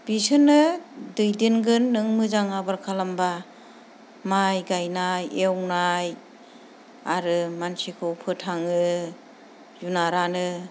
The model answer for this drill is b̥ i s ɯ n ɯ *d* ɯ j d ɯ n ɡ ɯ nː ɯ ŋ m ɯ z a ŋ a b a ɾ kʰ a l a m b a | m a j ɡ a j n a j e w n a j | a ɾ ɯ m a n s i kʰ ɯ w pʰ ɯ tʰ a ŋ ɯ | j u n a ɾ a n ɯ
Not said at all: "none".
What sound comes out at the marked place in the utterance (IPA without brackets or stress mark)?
d